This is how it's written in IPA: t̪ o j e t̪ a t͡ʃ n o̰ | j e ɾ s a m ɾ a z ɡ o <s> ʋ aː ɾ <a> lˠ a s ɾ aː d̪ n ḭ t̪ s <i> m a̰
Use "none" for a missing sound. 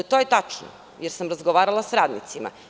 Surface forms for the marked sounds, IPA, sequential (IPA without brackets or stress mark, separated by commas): none, a, i